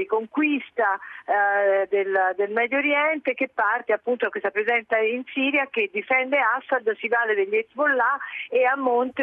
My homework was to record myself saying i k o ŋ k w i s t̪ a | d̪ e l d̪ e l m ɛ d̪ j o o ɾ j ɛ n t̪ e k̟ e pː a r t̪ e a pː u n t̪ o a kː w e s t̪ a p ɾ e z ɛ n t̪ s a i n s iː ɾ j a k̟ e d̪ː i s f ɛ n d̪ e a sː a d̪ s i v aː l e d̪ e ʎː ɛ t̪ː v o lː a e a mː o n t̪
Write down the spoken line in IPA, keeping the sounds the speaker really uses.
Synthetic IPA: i k o ŋ k w i s t̪ a | d̪ e l d̪ e l m ɛ d̪ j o o ɾ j ɛ n t̪ e k̟ e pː a r t̪ e a pː u n t̪ o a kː w e s t̪ a p ɾ e z ɛ n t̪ s a i n s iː ɾ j a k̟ e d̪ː i f ɛ n d̪ e a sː a d̪ s i v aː l e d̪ e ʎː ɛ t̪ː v o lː a e a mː o n t̪